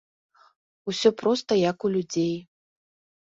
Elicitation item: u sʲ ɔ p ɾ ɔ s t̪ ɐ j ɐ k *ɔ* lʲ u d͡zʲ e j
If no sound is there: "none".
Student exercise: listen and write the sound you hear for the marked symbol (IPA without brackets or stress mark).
u